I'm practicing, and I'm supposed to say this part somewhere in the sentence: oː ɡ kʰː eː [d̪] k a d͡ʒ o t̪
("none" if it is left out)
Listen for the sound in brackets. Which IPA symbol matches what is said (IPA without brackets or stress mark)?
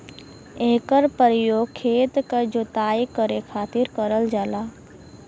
t̪